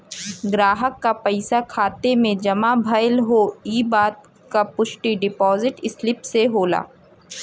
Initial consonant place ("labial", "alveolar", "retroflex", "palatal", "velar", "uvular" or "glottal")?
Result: velar